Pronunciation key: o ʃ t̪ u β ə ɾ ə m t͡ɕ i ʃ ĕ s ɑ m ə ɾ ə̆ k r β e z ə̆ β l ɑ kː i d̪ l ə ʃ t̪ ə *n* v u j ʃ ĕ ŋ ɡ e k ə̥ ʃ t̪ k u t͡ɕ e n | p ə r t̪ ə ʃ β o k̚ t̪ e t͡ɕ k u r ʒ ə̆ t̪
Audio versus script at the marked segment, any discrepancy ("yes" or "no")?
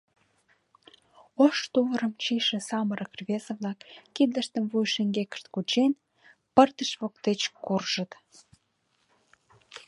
yes